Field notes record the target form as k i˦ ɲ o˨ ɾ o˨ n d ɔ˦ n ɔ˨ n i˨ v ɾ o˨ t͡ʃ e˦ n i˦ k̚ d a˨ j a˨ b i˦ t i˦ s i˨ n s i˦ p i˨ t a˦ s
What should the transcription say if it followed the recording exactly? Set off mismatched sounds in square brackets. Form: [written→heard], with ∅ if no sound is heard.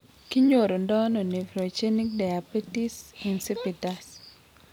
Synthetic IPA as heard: k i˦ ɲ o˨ ɾ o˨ n d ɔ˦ n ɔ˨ n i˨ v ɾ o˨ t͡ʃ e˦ n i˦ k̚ d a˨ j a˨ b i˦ t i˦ s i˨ n s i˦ p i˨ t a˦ s